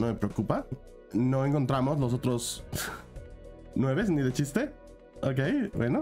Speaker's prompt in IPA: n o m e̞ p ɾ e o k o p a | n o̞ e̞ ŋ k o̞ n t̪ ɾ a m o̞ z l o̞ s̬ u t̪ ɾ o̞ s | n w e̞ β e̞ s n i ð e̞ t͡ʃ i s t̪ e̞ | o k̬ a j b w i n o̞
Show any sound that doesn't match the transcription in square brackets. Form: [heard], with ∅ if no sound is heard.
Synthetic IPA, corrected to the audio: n o m e̞ p ɾ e o k [u] p a | n o̞ e̞ ŋ k o̞ n t̪ ɾ a m o̞ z l o̞ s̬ [o] t̪ ɾ o̞ s | n w e̞ β e̞ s n i ð e̞ t͡ʃ i s t̪ e̞ | o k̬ [e] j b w [e] n o̞

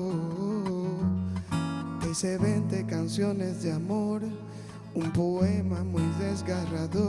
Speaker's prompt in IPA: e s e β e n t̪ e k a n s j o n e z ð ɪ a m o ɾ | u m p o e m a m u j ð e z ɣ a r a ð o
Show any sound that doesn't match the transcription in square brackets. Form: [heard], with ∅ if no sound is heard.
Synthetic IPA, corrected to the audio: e s e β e n t̪ e k a n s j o n e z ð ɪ a m o ɾ | u m p o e m a m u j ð e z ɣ a r a ð o

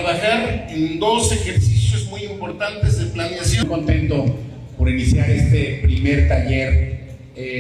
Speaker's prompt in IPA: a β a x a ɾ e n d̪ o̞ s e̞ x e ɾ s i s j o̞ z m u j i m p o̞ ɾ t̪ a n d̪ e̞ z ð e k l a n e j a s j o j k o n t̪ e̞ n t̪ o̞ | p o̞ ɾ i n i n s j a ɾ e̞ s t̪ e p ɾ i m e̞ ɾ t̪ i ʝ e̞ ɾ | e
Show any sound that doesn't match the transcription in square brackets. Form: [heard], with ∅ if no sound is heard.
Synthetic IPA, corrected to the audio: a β a x a ɾ e n d̪ o̞ s e̞ x e ɾ s i s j o̞ z m u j i m p o̞ ɾ t̪ a n [t̪] e̞ z ð e [p] l a n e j a s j o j k o n t̪ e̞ n t̪ o̞ | p o̞ ɾ i n i [∅] s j a ɾ e̞ s t̪ e p ɾ i m e̞ ɾ t̪ [a] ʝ e̞ ɾ | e

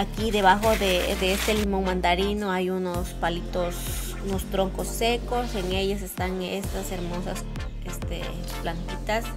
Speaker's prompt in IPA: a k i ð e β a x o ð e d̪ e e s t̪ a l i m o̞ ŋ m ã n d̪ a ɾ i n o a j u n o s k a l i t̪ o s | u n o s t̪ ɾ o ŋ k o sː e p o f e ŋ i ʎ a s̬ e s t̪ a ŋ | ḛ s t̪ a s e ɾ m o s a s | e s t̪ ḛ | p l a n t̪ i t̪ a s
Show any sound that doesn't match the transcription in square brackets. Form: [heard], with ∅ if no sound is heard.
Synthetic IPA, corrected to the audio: a k i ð e β a x o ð e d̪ e e s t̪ [e] l i m o̞ ŋ m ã n d̪ a ɾ i n o a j u n o s [p] a l i t̪ o s | u n o s t̪ ɾ o ŋ k o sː e [k] o [s] e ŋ [e] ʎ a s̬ e s t̪ a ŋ | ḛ s t̪ a s e ɾ m o s a s | e s t̪ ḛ | p l a n t̪ i t̪ a s

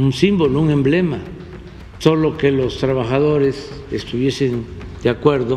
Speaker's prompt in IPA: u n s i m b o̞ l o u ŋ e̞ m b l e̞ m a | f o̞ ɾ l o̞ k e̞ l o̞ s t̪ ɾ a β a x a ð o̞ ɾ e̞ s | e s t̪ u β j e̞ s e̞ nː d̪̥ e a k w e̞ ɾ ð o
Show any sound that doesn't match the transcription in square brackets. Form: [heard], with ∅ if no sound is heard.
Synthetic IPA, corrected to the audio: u n s i m b o̞ l o u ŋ e̞ m b l e̞ m a | [s] o̞ [∅] l o̞ k e̞ l o̞ s t̪ ɾ a β a x a ð o̞ ɾ e̞ s | e s t̪ u β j e̞ s e̞ [n] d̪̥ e a k w e̞ ɾ ð o

